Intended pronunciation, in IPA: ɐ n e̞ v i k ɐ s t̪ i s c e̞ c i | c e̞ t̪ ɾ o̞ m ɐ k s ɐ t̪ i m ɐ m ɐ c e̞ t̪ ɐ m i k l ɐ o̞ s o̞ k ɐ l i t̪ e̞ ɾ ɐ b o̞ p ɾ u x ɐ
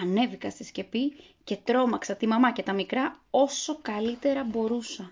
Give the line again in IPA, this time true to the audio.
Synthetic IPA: ɐ n e̞ v i k ɐ s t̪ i s c e̞ p i | c e̞ t̪ ɾ o̞ m ɐ k s ɐ t̪ i m ɐ m ɐ c e̞ t̪ ɐ m i k ɾ ɐ o̞ s o̞ k ɐ l i t̪ e̞ ɾ ɐ b o̞ ɾ u s ɐ